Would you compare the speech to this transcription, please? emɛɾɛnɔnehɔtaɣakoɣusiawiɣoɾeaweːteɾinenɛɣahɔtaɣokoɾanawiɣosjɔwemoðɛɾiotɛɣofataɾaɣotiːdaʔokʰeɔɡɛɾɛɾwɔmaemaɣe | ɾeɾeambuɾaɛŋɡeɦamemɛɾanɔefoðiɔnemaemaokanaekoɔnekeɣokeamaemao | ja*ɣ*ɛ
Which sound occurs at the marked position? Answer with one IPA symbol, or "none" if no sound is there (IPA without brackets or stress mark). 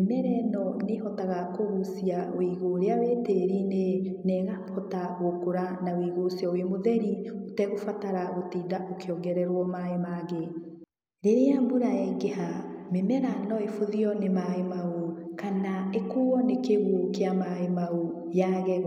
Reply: ɣ